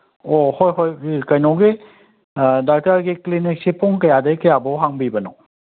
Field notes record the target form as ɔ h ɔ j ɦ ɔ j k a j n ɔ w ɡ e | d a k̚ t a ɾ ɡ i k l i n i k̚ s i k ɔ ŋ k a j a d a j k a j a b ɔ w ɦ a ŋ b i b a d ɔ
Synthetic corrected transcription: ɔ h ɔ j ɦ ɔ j k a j n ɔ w ɡ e | d a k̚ t a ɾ ɡ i k l i n i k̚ s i p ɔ ŋ k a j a d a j k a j a b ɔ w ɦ a ŋ b i b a n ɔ